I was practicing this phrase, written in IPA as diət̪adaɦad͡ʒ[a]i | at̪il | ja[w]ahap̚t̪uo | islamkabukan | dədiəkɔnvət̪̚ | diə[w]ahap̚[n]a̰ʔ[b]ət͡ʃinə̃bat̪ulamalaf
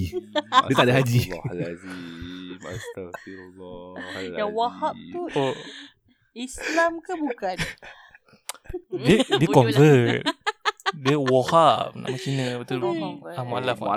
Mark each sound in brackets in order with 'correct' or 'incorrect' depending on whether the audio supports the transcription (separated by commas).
incorrect, correct, correct, correct, incorrect